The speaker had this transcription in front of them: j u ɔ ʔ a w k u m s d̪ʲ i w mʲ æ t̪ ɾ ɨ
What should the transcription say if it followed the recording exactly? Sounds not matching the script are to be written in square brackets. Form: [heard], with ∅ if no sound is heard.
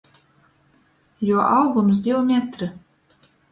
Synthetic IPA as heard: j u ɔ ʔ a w [ɡ] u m s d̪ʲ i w mʲ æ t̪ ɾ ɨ